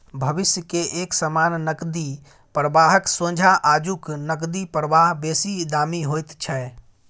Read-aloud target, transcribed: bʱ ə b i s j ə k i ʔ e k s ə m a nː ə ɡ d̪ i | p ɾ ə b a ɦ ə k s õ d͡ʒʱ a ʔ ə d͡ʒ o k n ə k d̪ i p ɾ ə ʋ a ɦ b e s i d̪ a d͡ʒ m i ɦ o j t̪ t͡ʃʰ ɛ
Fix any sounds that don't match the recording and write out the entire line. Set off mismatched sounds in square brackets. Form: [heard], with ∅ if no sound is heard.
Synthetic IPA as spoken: bʱ ə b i s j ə k [e] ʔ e k s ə m a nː ə [k] d̪ i | p ɾ ə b a ɦ ə k s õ d͡ʒʱ a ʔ [a] d͡ʒ [u] k n ə k d̪ i p ɾ ə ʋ a ɦ b e s i d̪ a [∅] m i ɦ o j t̪ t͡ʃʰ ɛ